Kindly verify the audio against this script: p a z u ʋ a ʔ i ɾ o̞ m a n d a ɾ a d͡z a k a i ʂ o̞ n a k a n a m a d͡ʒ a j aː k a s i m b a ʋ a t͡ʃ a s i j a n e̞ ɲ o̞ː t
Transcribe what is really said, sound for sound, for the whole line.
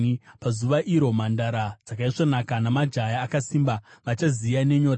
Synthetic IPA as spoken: p a z u ʋ a ʔ i ɾ o̞ m a n d a ɾ a d͡z a k a i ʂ o̞ n a k a n a m a d͡ʒ a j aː k a s i m b a ʋ a t͡ʃ a z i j a n e̞ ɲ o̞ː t